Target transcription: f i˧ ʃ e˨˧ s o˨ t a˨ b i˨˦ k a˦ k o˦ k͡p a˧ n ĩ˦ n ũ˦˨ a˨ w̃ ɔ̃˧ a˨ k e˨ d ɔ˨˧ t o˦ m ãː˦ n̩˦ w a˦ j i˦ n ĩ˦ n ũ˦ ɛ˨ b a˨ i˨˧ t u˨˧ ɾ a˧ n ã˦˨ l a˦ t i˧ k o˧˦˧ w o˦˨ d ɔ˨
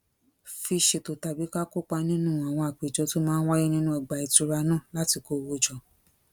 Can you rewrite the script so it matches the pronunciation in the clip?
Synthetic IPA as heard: f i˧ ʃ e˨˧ t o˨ t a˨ b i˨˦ k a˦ k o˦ k͡p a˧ n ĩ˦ n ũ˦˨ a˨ w̃ ɔ̃˧ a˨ k͡p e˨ d͡ʒ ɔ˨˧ t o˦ m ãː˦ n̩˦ w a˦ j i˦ n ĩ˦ n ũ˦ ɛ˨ ɡ͡b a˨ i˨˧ t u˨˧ ɾ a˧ n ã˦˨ l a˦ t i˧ k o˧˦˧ w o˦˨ d͡ʒ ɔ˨

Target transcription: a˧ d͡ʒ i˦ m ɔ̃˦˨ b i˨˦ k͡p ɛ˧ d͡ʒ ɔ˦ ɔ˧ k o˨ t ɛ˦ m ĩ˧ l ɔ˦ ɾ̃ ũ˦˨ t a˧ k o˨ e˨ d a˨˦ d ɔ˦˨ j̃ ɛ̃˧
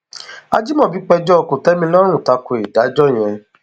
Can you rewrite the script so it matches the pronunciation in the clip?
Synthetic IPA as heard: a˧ d͡ʒ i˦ m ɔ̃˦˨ b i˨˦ k͡p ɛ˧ d͡ʒ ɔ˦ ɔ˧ k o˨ t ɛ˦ m ĩ˧ l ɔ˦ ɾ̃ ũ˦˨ t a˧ k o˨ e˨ d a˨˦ d͡ʒ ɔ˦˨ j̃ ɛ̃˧

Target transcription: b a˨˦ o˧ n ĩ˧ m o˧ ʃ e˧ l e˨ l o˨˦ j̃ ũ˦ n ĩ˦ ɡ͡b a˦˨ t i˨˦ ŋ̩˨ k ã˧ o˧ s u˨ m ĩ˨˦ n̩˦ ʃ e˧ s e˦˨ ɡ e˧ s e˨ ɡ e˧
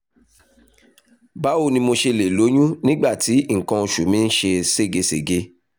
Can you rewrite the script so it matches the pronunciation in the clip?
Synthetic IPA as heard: b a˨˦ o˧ n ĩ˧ m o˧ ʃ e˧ l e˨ l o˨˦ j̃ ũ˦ n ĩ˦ ɡ͡b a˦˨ t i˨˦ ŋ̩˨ k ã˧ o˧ ʃ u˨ m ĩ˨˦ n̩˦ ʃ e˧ s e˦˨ ɡ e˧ s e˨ ɡ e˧

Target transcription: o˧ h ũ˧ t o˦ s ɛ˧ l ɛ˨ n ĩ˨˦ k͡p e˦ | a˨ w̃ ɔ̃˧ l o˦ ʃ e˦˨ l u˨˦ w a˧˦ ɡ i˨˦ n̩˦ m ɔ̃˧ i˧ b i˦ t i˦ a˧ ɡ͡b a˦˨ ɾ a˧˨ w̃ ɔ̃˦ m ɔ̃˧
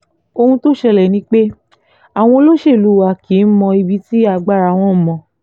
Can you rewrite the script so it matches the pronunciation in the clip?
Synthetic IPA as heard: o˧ h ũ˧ t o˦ ʃ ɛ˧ l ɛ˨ n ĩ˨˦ k͡p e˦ | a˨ w̃ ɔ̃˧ l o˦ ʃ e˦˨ l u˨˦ w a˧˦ k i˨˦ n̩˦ m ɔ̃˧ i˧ b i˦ t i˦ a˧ ɡ͡b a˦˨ ɾ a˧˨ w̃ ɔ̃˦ m ɔ̃˧

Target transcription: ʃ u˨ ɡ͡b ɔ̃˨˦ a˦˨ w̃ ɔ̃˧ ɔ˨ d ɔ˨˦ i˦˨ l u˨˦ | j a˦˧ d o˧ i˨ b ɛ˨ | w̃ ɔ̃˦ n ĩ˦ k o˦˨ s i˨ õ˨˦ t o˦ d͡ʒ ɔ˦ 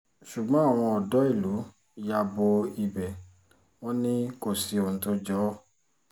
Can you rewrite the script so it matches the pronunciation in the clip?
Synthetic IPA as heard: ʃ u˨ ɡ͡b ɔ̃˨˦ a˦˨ w̃ ɔ̃˧ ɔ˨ d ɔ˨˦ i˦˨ l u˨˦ | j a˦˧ b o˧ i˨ b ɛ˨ | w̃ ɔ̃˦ n ĩ˦ k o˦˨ s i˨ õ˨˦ t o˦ d͡ʒ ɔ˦

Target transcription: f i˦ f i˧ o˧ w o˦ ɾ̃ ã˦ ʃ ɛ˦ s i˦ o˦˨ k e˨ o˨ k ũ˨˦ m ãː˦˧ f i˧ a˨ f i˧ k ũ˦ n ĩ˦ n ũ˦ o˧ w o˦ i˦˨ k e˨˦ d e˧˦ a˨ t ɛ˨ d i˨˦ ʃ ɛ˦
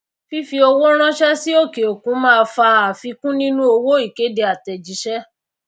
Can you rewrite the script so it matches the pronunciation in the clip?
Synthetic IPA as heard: f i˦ f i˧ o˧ w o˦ ɾ̃ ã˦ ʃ ɛ˦ s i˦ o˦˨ k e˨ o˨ k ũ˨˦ m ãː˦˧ f a˧ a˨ f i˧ k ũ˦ n ĩ˦ n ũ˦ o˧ w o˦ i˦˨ k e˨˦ d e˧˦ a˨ t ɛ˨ d͡ʒ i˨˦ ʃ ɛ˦

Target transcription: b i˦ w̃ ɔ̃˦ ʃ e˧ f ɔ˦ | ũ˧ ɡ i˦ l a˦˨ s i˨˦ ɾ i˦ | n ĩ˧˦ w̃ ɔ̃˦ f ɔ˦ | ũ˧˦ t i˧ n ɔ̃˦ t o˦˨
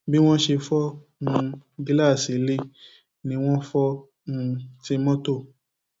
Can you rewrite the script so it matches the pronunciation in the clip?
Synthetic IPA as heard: b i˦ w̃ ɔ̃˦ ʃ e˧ f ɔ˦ | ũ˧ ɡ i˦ l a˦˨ s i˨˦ l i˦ | n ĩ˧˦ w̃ ɔ̃˦ f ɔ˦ | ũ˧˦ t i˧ m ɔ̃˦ t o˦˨

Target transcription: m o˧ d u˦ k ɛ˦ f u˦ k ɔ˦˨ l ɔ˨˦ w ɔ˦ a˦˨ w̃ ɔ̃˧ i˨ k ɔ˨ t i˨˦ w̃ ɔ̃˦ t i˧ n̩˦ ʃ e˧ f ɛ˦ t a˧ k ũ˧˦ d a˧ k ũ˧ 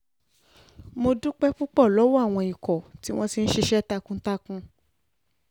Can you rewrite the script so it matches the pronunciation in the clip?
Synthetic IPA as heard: m o˧ d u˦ k͡p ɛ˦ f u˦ k͡p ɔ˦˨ l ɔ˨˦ w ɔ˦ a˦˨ w̃ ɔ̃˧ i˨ k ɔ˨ t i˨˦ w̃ ɔ̃˦ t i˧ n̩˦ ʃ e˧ ʃ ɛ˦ t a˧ k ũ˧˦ t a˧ k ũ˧

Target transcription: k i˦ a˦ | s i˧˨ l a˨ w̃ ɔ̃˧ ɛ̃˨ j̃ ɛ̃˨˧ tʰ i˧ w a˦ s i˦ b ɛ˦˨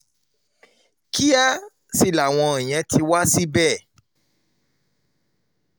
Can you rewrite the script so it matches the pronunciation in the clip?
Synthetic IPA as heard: k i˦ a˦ | s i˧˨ l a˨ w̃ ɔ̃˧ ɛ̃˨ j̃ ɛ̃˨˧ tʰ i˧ w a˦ s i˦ b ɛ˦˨

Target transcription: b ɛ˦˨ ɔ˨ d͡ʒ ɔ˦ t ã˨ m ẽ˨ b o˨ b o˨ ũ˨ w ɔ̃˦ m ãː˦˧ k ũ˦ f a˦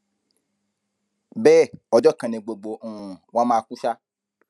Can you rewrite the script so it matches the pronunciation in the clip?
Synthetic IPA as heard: b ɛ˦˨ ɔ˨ d͡ʒ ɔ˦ k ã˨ n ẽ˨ ɡ͡b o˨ ɡ͡b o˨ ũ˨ w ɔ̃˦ m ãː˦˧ k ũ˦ ʃ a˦

